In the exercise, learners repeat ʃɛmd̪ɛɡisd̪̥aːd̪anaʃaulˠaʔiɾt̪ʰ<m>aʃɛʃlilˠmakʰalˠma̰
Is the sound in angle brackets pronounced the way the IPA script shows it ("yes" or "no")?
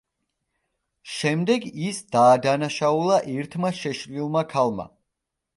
yes